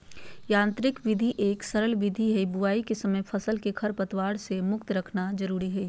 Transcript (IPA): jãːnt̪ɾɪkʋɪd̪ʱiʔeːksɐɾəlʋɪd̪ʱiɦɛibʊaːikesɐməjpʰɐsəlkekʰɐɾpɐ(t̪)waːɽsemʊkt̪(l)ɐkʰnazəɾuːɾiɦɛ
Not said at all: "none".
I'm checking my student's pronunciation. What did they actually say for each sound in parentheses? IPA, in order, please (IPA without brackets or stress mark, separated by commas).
t̪, ɾ